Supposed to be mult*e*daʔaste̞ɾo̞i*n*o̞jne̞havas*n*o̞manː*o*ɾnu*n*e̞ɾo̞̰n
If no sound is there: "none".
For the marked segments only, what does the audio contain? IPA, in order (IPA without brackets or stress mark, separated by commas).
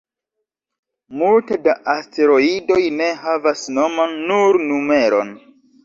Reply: e, d, n, u, m